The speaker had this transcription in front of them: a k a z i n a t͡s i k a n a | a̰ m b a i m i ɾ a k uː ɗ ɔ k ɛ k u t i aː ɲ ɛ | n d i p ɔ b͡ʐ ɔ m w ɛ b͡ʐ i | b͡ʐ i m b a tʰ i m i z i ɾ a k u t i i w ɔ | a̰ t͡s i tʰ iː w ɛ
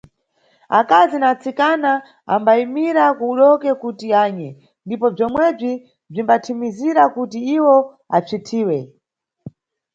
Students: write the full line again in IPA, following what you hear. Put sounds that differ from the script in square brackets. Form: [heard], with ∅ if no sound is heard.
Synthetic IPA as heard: a k a z i n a t͡s i k a n a | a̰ m b a i m i ɾ a k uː ɗ ɔ k ɛ k u t i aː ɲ ɛ | n d i p ɔ b͡ʐ ɔ m w ɛ b͡ʐ i | b͡ʐ i m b a tʰ i m i z i ɾ a k u t i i w ɔ | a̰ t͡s i tʰ iː w ɛ